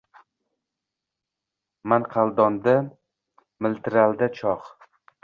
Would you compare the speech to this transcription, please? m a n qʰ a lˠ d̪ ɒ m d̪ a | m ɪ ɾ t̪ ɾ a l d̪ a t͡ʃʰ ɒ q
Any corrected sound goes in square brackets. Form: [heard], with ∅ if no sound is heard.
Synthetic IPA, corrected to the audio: m a n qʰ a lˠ d̪ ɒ [n] d̪ a | m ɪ [l] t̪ ɾ a l d̪ a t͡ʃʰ ɒ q